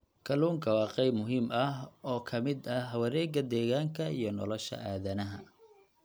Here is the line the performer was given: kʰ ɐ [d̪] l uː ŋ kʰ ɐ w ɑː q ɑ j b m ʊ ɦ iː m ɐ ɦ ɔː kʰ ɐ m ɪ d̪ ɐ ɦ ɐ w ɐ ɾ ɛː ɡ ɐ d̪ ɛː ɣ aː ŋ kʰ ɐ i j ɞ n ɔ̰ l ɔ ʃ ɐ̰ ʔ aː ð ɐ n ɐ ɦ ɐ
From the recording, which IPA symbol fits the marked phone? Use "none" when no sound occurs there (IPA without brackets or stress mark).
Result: none